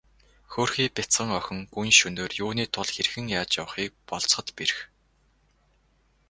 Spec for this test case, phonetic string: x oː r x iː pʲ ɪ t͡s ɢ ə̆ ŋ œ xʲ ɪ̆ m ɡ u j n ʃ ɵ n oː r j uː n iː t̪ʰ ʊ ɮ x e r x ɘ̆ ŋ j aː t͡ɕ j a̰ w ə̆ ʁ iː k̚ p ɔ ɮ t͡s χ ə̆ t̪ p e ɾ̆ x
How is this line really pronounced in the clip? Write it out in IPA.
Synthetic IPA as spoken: x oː r x iː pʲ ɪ t͡s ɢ ə̆ ŋ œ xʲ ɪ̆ ŋ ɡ u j n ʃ ɵ n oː r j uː n iː t̪ʰ ʊ ɮ x e r x ɘ̆ ŋ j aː t͡ɕ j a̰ w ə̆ χ iː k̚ p ɔ ɮ t͡s χ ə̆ t̪ p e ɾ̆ x